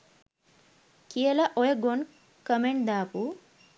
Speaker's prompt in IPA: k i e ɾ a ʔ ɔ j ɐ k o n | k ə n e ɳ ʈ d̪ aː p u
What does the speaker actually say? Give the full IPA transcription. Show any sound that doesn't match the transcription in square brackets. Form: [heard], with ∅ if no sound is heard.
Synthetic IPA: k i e [l] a ʔ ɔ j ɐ [ɡ] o n | k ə [m] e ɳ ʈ d̪ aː p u

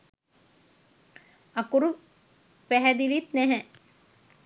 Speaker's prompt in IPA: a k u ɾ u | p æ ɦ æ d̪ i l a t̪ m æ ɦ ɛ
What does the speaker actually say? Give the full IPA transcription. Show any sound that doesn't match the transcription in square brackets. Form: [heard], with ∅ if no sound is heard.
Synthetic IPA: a k u ɾ u | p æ ɦ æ d̪ i l [i] t̪ [n] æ ɦ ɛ

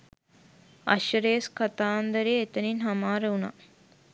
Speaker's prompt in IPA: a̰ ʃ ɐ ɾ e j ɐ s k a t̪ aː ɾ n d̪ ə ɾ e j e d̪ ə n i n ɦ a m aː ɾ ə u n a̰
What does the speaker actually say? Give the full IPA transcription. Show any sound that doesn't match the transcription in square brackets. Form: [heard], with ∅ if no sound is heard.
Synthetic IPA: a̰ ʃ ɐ ɾ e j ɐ s k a t̪ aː [∅] n d̪ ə ɾ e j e [t̪] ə n i n ɦ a m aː ɾ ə u n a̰

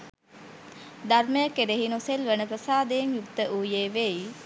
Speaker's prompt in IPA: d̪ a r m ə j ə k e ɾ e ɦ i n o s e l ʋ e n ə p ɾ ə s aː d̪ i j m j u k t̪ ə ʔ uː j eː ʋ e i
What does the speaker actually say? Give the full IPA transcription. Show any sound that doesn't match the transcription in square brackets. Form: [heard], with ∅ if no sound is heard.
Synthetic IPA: d̪ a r m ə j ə k e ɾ e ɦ i n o s e l ʋ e n ə p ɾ ə s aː d̪ [e] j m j u k t̪ ə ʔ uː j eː ʋ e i

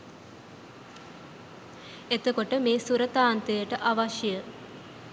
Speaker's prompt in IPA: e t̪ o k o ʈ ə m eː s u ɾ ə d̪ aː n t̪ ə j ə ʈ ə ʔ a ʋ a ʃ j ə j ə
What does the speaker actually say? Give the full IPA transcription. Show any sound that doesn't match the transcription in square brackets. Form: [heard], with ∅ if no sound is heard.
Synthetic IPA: e t̪ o k o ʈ ə m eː s u ɾ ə [t̪] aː n t̪ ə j ə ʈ ə ʔ a ʋ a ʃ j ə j ə

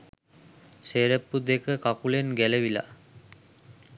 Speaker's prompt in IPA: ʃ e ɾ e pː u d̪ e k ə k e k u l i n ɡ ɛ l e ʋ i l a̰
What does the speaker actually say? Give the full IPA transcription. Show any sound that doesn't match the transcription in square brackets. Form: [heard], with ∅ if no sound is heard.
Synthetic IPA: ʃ e ɾ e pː u d̪ e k ə k [a] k u l [e] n ɡ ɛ l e ʋ i l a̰

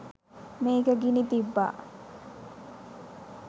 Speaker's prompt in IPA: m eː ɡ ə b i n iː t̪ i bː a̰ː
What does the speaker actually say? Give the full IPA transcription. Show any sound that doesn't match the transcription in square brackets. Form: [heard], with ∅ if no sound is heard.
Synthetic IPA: m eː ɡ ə [ɡ] i n [i] t̪ i bː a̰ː

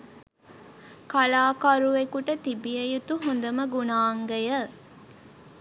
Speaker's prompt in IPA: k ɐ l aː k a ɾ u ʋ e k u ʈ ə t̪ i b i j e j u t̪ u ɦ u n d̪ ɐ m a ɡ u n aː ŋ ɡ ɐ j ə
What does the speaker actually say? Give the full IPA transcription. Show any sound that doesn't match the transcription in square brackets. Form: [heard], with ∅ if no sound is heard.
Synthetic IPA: k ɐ l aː k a ɾ u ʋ e k u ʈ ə t̪ i b i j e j u t̪ u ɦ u n d̪ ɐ m [ə] ɡ u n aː ŋ ɡ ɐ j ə

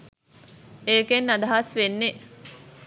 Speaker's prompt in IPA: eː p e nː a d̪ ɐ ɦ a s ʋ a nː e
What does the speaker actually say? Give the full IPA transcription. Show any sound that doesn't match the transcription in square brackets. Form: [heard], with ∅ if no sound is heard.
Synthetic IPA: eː [k] e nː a d̪ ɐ ɦ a s ʋ [e] nː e

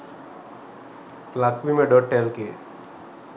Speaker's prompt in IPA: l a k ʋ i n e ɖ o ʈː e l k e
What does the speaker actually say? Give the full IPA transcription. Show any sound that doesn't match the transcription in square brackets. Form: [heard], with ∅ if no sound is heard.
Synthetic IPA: l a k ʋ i [m] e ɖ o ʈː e l k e

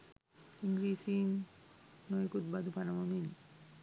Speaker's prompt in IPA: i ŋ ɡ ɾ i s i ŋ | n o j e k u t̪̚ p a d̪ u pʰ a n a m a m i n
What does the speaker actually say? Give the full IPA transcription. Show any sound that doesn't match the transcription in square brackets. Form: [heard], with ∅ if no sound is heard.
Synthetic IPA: i ŋ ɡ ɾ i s i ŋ | n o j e k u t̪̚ [b] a d̪ u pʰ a n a m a m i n

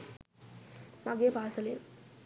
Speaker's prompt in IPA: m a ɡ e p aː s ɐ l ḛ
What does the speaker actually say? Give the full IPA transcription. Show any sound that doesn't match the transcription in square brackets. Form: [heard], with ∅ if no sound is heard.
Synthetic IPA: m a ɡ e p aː s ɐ l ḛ

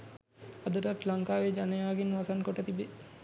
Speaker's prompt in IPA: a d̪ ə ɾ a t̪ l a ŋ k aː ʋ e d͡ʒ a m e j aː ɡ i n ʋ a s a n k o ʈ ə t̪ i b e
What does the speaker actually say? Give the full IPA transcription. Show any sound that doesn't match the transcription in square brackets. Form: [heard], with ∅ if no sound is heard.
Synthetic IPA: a d̪ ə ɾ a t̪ l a ŋ k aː ʋ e d͡ʒ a [n] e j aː ɡ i n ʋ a s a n k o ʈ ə t̪ i b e

